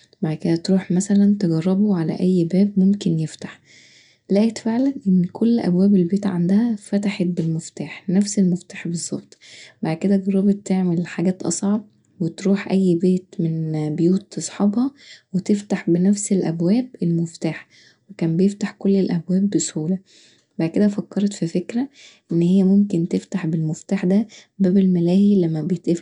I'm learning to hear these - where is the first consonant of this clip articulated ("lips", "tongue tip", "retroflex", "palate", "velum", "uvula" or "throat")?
lips